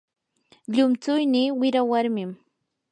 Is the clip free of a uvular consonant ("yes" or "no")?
yes